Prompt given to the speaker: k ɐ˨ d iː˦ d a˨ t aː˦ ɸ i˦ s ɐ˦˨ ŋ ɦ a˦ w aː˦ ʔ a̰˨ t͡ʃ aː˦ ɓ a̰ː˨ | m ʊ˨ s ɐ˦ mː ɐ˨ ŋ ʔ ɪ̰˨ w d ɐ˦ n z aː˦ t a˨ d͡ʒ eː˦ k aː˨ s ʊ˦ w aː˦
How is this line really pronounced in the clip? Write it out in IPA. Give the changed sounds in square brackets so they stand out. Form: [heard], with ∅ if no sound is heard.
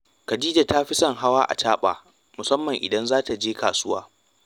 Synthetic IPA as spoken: k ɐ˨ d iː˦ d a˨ t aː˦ ɸ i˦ s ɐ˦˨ ŋ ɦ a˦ w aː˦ ʔ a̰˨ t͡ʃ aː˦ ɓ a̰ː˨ | m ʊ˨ s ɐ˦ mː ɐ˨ ŋ ʔ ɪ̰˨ [∅] d ɐ˦ n z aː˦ t a˨ d͡ʒ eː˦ k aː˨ s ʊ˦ w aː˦